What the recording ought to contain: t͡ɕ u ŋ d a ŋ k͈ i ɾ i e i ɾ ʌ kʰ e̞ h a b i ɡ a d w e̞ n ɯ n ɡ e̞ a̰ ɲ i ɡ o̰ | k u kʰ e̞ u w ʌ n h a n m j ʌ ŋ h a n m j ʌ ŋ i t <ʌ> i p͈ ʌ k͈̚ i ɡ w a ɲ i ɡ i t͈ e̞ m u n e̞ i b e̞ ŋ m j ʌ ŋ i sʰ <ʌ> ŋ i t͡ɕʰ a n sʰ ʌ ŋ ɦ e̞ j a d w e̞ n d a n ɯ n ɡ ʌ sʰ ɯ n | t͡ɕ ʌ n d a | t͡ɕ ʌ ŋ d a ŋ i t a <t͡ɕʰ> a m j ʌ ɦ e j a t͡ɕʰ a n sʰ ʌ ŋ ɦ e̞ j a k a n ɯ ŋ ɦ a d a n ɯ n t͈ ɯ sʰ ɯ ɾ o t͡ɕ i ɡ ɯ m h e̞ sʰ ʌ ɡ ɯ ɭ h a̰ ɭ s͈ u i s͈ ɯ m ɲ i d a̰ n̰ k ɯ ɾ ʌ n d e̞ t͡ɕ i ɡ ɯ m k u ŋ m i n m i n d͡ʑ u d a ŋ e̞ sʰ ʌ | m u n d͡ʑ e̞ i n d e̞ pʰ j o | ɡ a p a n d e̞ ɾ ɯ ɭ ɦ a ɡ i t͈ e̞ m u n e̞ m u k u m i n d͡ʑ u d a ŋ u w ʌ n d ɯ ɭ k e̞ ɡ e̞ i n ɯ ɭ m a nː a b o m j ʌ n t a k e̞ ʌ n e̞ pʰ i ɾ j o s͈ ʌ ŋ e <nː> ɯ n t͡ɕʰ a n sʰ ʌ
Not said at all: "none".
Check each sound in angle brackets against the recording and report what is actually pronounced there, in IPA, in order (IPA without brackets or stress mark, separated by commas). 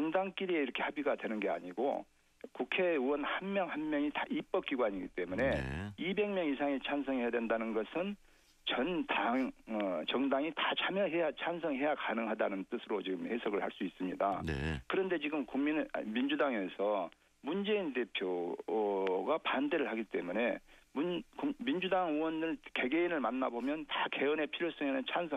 a, a, t͡ɕʰ, n